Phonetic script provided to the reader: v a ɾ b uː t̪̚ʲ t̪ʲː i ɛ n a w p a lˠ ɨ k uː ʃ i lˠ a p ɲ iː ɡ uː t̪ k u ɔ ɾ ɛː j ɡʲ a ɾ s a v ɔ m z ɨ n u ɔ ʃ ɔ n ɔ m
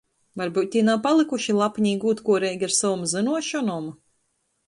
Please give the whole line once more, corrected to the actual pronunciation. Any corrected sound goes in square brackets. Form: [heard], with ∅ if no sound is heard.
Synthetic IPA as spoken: v a ɾ b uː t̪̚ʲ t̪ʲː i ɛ n a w p a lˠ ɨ k [u] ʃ i lˠ a p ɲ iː ɡ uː t̪ k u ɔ ɾ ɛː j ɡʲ a ɾ s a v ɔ m z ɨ n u ɔ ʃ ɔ n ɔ m